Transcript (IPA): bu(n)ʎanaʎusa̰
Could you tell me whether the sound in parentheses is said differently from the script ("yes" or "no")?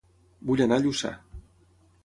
yes